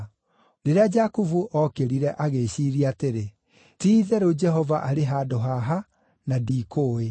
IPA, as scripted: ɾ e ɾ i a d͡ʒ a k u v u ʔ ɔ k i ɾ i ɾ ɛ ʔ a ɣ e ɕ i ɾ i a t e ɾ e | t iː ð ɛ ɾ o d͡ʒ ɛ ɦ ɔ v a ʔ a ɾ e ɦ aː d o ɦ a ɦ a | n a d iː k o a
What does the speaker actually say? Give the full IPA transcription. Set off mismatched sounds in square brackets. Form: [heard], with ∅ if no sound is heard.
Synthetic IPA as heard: ɾ e ɾ [e] a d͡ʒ a k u v u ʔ ɔ k [e] ɾ i ɾ ɛ ʔ a ɣ e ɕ i ɾ i a t e ɾ e | t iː ð ɛ ɾ o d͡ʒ ɛ ɦ ɔ v a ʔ a ɾ e ɦ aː d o ɦ a ɦ a | n a d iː k o [e]